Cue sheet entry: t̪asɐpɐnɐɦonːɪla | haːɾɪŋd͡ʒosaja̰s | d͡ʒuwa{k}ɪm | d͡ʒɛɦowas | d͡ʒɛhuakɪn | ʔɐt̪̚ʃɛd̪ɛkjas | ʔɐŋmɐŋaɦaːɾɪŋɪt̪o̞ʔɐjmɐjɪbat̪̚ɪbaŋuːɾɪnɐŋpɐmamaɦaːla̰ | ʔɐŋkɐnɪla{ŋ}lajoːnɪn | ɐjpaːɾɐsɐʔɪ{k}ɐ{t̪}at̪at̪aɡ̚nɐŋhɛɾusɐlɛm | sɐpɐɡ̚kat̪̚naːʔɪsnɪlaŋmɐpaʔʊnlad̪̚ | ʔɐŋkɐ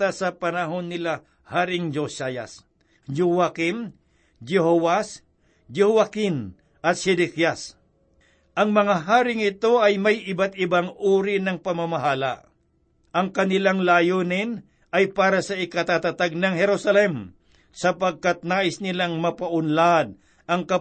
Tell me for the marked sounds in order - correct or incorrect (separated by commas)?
correct, correct, correct, correct